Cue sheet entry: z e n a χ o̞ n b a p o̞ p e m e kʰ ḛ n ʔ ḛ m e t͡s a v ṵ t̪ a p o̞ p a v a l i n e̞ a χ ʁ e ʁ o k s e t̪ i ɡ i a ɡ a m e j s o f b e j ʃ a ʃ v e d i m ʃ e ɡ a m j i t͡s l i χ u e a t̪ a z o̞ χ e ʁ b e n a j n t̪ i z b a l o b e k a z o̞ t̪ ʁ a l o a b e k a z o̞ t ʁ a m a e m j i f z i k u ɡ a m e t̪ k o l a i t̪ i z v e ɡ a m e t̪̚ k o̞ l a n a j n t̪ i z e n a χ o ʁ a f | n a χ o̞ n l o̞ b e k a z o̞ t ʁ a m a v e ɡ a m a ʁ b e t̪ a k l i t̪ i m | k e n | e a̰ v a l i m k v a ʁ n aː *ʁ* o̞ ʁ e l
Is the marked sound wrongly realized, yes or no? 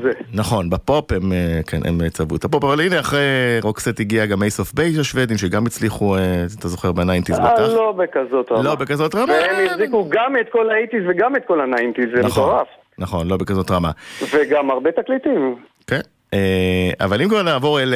yes